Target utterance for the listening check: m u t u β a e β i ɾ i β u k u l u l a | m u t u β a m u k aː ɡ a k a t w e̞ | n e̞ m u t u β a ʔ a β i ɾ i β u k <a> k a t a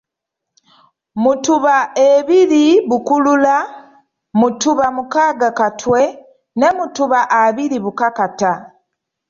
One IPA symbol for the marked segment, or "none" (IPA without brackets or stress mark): a